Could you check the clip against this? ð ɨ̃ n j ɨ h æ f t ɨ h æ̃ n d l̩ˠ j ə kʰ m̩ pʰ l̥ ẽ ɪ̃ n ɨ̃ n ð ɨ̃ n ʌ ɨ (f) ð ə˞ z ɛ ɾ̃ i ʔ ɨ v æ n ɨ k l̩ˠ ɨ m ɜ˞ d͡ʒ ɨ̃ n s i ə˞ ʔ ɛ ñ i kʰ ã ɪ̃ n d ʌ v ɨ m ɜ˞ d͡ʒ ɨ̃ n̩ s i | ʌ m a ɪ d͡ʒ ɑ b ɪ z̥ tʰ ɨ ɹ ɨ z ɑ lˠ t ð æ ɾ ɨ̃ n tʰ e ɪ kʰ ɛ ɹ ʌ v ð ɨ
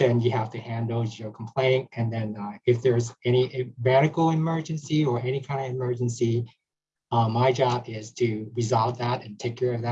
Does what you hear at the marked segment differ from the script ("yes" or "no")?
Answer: no